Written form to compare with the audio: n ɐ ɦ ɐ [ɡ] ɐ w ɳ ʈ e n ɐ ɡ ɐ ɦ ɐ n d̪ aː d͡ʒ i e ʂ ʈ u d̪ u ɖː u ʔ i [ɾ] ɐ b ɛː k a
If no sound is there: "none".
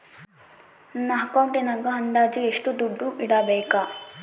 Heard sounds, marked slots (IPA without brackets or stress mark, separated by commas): k, ɽ